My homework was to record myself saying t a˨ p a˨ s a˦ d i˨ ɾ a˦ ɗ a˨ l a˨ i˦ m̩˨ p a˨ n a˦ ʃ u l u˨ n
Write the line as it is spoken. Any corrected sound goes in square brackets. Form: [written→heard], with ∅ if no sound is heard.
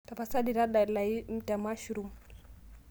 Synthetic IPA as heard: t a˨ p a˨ s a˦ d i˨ ɾ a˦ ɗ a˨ l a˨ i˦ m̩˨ [p→t] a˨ [n→m] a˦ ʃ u [l→ɾ] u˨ [n→m]